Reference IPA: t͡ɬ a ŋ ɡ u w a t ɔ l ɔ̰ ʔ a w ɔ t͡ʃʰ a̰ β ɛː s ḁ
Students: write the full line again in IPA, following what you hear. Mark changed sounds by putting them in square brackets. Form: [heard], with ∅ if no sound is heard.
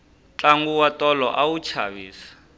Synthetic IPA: t͡ɬ a ŋ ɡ u w a t ɔ l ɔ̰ ʔ a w [u] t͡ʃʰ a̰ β [iː] s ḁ

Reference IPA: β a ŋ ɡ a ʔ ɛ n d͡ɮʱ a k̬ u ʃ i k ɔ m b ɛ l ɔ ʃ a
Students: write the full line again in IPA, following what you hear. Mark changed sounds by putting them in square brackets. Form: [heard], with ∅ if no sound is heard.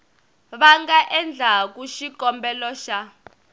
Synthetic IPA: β a ŋ ɡ a ʔ ɛ n d͡ɮʱ a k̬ u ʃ i k ɔ m b ɛ l ɔ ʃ a

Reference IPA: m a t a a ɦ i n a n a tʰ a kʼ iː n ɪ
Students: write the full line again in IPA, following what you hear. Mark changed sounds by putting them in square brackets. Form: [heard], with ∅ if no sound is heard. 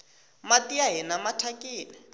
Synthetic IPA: m a t [i] a ɦ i n a [m] a tʰ a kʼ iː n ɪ

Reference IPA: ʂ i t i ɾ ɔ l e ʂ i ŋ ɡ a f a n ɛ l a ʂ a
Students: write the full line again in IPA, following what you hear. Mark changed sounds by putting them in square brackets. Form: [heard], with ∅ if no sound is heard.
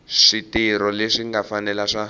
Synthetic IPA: ʂ i t i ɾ ɔ l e ʂ i ŋ ɡ a f a n ɛ l a ʂ a

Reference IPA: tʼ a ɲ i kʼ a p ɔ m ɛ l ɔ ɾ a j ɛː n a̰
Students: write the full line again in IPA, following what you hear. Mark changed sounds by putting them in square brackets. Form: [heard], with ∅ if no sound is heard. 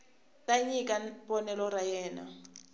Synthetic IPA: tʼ a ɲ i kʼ a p ɔ [n] ɛ l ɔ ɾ a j ɛː n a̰

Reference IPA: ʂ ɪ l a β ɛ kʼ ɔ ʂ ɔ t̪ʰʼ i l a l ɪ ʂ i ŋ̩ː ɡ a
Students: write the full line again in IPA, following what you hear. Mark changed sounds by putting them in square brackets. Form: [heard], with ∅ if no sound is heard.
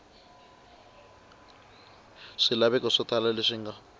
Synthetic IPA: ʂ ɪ l a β ɛ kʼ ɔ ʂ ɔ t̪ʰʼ [a] l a l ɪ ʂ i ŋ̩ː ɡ a

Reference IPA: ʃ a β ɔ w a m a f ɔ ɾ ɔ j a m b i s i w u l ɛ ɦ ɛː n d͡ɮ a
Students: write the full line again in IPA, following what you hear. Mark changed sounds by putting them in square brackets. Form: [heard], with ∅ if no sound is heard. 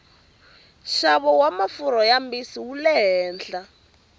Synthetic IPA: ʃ a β ɔ w a m a f [u] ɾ ɔ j a m b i s i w u l ɛ ɦ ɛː n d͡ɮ a

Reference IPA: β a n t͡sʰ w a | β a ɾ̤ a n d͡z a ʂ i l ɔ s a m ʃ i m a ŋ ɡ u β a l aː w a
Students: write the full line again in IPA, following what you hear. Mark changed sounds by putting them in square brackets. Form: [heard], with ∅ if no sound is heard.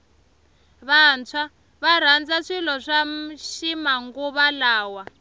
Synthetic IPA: β a n t͡sʰ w a | β a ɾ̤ a n d͡z a ʂ i l ɔ [ʂ] a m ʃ i m a ŋ ɡ u β a l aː w a

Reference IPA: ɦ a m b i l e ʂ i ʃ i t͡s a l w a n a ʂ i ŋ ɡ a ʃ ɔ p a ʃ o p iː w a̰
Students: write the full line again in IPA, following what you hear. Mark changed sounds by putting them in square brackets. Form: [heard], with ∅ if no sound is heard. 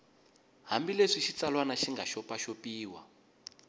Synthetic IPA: ɦ a m b i l e ʂ i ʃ i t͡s a l w a n a [ʃ] i ŋ ɡ a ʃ ɔ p a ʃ o p iː w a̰

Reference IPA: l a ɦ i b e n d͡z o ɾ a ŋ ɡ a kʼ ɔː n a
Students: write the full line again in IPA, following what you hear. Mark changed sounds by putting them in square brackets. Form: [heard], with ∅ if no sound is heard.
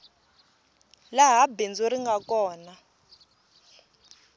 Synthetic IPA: l a ɦ [a] b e n d͡z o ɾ [i] ŋ ɡ a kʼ ɔː n a

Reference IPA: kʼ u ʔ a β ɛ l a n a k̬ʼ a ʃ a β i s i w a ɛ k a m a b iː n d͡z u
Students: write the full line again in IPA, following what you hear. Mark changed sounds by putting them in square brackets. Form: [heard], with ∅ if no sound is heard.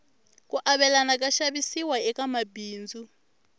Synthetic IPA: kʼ u ʔ a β ɛ l a n a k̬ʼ a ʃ a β i s i w a ɛ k a m a b iː n d͡z u

